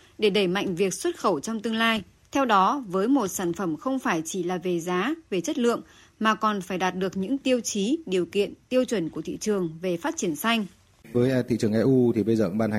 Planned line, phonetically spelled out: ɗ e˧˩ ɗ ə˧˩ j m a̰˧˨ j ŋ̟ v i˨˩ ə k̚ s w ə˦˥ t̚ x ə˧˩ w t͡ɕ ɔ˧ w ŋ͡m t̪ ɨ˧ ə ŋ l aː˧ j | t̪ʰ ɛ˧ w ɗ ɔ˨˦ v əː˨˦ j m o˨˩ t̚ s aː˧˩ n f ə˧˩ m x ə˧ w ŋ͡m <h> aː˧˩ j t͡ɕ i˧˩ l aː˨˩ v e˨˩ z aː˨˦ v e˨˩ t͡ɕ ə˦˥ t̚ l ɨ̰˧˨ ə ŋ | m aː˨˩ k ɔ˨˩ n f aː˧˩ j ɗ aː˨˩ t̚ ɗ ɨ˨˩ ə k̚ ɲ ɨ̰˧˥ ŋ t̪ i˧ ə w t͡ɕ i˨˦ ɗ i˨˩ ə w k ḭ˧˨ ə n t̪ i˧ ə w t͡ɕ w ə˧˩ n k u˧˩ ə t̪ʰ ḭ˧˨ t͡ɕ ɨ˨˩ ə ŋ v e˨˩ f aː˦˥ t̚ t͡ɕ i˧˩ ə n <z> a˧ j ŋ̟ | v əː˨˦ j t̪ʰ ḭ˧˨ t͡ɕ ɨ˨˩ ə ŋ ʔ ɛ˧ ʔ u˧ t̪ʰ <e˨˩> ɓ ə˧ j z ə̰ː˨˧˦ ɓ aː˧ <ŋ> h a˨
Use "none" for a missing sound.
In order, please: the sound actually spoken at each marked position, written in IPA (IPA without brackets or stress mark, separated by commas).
f, s, i˨˩, n